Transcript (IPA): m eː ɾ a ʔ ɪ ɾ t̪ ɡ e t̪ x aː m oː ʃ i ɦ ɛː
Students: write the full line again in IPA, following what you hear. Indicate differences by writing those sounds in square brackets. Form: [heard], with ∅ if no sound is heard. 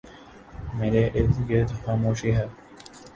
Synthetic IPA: m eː ɾ [e] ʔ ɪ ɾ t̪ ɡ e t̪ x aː m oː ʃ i ɦ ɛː